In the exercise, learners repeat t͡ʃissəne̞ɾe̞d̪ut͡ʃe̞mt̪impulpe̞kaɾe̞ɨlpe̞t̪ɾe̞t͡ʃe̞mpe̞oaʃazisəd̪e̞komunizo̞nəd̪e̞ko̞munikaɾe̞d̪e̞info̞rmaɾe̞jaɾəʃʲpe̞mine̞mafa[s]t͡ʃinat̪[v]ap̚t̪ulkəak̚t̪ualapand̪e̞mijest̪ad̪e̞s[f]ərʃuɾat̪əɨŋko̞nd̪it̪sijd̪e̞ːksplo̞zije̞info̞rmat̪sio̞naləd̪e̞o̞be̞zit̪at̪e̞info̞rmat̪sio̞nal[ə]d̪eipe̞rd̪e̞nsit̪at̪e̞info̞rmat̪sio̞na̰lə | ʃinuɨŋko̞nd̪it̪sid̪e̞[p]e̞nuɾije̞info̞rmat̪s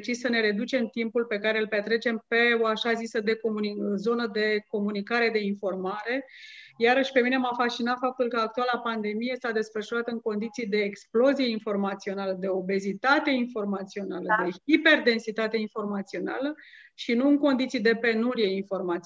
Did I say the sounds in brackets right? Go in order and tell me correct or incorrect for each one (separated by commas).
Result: correct, incorrect, correct, correct, correct